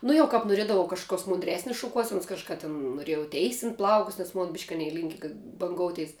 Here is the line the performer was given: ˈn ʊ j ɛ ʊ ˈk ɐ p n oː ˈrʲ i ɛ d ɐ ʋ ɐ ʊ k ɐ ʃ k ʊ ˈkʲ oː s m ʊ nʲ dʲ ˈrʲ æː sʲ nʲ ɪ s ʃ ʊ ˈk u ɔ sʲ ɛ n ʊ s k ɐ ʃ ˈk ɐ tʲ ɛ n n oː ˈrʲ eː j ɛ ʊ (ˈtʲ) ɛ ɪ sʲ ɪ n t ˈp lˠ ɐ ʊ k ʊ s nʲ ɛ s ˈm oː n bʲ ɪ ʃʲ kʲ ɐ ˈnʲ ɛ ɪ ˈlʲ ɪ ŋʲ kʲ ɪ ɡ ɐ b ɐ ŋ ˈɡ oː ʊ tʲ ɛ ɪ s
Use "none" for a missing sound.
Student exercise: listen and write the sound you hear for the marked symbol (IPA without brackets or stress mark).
tʲ